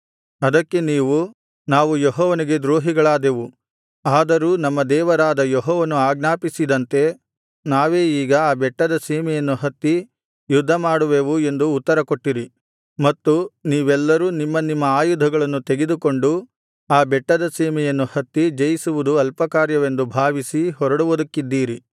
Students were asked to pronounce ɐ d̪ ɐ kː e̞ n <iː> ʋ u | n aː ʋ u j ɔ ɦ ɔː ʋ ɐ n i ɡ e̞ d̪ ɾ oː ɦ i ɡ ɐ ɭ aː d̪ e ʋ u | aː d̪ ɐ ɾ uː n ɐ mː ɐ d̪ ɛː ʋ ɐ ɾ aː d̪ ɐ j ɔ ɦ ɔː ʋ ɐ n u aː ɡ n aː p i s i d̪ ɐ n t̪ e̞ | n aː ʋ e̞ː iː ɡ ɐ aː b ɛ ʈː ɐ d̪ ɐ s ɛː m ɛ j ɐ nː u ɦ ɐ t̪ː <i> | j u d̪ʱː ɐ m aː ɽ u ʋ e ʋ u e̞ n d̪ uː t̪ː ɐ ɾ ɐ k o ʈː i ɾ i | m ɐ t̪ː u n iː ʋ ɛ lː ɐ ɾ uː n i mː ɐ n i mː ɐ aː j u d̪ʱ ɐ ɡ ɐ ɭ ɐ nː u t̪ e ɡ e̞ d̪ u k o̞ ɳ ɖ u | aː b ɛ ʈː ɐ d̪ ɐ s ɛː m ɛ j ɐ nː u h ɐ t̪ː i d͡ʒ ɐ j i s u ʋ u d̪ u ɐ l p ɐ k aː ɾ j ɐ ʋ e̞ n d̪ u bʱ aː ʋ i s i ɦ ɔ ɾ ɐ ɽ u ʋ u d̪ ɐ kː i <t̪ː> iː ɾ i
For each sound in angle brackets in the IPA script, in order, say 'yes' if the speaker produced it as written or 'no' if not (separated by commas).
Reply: yes, yes, no